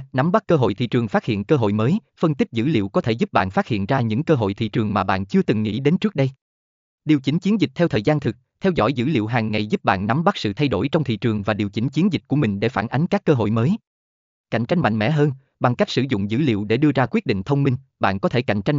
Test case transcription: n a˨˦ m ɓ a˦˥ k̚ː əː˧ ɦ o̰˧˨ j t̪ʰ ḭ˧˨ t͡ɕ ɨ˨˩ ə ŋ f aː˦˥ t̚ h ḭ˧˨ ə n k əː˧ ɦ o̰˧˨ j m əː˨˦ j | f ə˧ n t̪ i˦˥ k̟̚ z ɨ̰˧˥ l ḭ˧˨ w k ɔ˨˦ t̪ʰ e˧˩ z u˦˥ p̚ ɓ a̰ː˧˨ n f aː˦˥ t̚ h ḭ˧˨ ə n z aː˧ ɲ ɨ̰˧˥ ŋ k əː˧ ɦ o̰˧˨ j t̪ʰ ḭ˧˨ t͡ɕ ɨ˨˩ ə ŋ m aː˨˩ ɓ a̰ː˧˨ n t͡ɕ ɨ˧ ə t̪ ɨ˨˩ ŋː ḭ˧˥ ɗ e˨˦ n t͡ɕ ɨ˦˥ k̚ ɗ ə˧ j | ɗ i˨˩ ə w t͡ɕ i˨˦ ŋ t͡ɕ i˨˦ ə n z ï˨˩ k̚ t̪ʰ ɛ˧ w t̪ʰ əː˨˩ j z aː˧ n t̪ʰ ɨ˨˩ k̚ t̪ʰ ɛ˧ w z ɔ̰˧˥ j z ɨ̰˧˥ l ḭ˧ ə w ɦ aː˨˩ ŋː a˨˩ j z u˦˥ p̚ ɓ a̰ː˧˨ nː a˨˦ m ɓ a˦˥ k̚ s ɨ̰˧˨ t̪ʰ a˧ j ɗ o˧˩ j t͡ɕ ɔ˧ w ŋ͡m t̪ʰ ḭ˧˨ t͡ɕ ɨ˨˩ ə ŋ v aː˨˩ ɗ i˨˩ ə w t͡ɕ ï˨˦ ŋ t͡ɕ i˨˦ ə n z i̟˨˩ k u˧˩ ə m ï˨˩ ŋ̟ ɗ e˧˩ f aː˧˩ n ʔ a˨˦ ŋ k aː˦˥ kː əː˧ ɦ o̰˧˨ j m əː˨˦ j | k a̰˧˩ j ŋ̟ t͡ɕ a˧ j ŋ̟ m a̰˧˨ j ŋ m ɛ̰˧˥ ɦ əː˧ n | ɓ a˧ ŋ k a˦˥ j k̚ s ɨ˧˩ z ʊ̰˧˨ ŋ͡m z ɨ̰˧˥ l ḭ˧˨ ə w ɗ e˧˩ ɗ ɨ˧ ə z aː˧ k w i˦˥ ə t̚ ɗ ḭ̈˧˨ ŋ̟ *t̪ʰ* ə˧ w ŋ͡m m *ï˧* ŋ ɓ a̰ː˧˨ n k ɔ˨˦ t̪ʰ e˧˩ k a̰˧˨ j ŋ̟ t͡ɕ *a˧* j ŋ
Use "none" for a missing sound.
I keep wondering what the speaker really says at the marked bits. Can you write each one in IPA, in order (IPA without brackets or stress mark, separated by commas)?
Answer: t̪ʰ, ï˧, a˧